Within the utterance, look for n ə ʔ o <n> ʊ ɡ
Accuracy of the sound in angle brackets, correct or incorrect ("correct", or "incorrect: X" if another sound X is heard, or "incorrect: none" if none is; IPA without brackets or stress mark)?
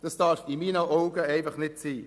incorrect: none